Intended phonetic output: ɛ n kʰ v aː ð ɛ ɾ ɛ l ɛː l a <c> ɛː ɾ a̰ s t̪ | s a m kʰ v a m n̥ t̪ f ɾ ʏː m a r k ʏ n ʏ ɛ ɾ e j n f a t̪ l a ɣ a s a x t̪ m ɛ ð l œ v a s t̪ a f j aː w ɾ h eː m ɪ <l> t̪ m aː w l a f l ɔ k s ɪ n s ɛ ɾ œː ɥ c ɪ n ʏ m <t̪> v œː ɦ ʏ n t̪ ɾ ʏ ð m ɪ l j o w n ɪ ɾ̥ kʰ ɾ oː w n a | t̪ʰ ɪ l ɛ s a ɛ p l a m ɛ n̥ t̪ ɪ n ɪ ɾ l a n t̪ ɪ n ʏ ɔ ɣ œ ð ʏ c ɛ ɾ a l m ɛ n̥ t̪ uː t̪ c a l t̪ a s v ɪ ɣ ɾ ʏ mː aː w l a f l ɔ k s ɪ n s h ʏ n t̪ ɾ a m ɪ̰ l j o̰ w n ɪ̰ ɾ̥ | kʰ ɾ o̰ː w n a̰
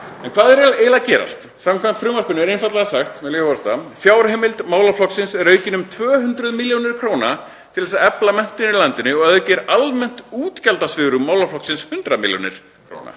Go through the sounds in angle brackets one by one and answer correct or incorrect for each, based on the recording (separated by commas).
correct, correct, incorrect